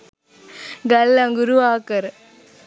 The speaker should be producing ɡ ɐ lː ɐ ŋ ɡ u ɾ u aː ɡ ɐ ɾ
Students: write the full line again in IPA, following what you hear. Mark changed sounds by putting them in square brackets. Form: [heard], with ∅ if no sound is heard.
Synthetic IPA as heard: ɡ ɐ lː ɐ ŋ ɡ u ɾ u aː [k] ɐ ɾ